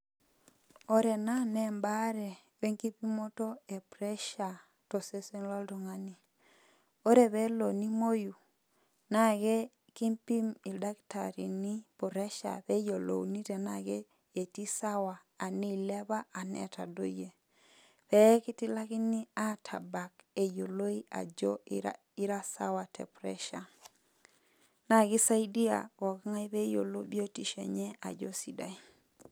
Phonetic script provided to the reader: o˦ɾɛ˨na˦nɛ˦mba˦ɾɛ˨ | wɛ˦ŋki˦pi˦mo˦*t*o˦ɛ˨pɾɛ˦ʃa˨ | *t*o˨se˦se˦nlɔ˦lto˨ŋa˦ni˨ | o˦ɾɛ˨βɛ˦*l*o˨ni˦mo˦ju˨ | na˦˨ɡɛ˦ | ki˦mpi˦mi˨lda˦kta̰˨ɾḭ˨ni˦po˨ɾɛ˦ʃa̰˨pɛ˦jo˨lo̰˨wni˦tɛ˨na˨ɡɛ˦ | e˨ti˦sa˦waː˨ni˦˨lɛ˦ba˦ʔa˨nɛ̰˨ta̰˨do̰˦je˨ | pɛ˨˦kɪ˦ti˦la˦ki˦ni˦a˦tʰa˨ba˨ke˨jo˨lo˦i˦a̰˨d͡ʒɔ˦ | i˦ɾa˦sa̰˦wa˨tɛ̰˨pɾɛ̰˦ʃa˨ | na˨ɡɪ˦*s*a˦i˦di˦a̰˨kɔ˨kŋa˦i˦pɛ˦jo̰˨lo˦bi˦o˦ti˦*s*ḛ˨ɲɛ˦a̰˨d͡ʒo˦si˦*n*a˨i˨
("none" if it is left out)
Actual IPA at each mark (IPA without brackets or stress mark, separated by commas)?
t, t, l, s, ʃ, d